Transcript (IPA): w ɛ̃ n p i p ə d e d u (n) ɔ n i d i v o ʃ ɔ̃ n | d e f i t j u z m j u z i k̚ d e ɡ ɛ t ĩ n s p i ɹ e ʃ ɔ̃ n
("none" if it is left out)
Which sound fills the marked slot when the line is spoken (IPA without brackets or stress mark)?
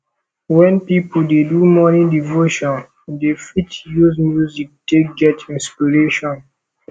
m